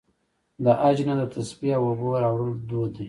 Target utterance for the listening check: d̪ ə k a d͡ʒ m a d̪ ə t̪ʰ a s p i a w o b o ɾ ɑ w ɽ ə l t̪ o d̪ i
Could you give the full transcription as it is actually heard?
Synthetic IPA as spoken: d̪ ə ʔ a d͡ʒ n a d̪ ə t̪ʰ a s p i a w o b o ɾ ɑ w ɽ ə l d̪ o d̪ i